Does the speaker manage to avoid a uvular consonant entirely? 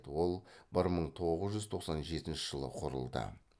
no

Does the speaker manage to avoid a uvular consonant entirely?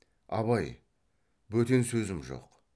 no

